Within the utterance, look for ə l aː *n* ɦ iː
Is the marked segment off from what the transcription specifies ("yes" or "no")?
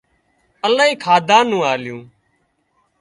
yes